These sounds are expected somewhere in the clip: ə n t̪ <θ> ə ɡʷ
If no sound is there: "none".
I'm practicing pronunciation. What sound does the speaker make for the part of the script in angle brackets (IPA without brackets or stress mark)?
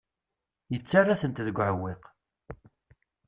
ð